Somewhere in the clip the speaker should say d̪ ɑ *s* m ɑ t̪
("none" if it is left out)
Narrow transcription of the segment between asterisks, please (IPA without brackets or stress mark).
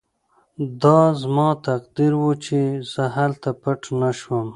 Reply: z